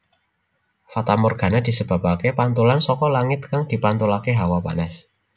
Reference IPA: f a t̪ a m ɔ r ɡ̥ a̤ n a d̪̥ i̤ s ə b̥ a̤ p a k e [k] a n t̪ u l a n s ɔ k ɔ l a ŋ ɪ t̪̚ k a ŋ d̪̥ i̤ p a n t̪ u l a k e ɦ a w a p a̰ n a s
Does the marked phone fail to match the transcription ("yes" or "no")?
yes